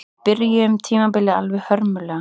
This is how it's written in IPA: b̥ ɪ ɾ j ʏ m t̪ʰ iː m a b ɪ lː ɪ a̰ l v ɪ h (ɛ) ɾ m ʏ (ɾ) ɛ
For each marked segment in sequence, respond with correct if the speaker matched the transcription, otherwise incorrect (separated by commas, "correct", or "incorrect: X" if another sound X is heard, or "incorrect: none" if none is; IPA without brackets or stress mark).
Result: incorrect: œ, incorrect: l